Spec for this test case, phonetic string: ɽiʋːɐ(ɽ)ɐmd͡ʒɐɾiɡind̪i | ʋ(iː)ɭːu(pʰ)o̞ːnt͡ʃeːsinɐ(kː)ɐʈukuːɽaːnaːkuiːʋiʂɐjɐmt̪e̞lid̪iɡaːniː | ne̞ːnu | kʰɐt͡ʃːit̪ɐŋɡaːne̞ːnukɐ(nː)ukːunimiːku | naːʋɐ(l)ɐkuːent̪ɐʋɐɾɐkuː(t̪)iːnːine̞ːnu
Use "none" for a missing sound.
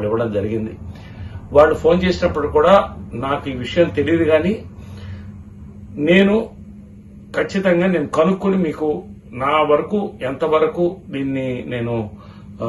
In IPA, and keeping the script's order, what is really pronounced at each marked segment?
ɽ, aː, pʰ, pː, n, ɾ, d̪

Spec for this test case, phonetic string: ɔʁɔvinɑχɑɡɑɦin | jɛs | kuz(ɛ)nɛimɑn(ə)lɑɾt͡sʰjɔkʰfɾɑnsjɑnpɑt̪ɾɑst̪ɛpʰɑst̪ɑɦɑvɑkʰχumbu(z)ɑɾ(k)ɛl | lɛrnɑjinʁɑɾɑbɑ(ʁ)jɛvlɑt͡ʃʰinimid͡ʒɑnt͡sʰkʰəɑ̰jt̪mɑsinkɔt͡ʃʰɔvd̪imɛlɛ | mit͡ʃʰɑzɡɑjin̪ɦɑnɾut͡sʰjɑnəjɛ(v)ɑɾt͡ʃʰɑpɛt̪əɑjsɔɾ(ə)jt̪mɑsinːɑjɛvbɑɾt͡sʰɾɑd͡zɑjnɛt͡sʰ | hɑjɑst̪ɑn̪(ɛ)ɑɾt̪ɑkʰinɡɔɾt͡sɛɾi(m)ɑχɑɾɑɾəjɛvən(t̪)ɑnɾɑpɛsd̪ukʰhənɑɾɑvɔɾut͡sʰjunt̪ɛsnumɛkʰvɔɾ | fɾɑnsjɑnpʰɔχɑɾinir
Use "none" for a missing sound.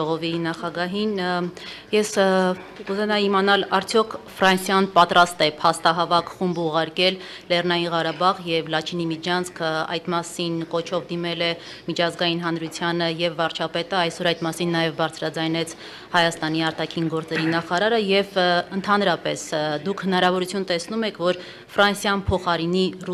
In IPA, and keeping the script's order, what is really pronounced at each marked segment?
ɛ, ɑ, ʁ, k, ʁ, vː, ɑ, i, n, t̪ʰ

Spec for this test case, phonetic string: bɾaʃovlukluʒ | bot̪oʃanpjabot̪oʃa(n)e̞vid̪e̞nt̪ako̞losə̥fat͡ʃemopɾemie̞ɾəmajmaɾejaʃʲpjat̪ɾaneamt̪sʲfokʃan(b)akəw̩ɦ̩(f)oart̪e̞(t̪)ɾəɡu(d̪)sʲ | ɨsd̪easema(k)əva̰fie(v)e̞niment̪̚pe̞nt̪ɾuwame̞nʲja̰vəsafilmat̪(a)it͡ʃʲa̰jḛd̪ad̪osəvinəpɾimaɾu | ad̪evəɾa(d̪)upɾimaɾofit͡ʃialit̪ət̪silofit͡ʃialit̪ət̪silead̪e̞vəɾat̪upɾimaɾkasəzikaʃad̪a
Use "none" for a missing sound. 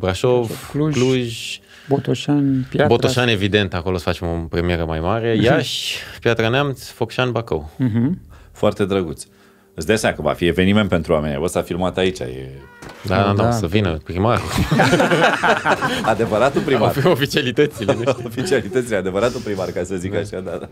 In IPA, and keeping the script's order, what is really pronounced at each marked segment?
n, b, f, d̪, t̪, k, v, a, t̪

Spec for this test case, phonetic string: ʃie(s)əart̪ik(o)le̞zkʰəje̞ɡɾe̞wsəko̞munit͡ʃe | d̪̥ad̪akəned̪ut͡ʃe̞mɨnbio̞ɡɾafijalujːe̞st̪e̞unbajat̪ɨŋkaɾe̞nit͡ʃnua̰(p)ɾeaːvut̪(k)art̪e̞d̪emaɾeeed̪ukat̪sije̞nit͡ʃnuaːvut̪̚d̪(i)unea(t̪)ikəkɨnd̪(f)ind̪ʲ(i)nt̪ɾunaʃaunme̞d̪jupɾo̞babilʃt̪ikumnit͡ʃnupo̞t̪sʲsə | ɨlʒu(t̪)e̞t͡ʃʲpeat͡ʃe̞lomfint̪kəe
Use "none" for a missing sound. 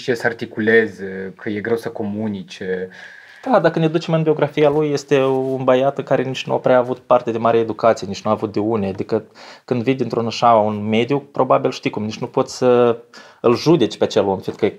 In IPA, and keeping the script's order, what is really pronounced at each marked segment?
s, u, p, p, e, d̪, v, i, d̪

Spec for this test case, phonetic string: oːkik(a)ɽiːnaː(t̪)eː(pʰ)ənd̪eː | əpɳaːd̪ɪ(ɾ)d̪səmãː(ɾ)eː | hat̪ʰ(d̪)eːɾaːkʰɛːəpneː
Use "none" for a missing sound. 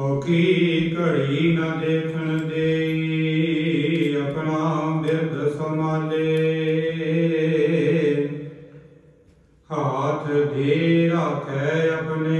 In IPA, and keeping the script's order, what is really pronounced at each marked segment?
ə, d̪, kʰ, ɾ, l, d̪

